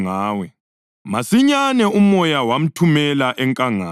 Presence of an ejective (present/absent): present